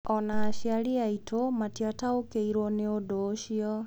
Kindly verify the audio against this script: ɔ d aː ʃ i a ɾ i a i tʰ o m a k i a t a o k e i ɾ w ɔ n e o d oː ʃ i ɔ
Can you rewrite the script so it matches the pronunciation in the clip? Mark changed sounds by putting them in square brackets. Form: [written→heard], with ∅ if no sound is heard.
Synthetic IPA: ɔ [d→n] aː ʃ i a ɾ i a i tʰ o m a [k→t] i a t a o k e i ɾ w ɔ n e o d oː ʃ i ɔ